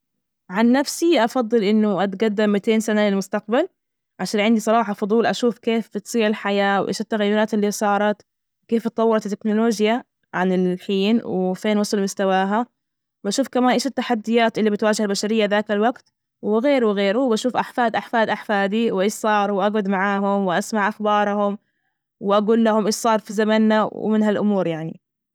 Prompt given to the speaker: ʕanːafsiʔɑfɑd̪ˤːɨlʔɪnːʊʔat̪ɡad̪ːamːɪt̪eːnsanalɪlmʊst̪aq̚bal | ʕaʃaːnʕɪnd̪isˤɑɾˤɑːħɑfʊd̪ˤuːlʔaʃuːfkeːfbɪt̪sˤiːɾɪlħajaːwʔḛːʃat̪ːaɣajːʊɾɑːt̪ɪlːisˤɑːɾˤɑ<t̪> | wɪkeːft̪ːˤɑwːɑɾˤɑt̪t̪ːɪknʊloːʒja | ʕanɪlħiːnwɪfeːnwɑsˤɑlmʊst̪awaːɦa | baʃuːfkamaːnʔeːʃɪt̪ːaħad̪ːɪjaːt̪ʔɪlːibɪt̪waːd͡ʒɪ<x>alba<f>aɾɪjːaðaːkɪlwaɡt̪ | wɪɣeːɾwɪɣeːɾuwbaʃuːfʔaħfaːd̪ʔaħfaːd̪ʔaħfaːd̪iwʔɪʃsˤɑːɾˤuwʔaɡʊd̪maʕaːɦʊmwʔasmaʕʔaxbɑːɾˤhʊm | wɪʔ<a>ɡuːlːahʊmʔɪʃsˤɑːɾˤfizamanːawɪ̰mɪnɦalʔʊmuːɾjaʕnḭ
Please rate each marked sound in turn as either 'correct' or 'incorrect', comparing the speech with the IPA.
correct, incorrect: h, incorrect: ʃ, correct

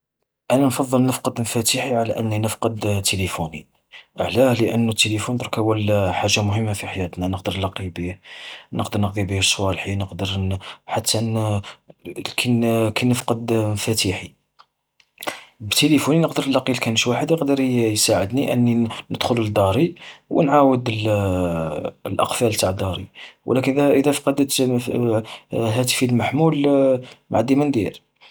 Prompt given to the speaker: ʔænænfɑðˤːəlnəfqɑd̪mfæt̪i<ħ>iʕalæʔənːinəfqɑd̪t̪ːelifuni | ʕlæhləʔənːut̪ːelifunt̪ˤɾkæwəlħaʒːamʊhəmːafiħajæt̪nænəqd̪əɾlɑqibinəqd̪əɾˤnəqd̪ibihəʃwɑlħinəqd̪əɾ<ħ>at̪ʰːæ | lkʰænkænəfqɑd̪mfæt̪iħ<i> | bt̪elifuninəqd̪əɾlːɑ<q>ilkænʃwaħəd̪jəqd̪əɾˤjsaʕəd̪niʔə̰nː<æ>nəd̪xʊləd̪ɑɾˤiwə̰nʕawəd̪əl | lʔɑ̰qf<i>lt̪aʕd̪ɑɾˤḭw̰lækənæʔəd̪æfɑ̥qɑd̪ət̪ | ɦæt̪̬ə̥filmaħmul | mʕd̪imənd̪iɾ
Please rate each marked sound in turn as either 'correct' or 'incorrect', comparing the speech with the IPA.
correct, correct, correct, correct, incorrect: i, incorrect: æ

